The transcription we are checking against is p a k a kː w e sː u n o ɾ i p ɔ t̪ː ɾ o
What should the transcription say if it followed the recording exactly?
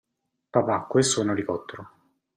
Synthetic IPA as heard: p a p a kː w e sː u n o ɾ i k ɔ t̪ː ɾ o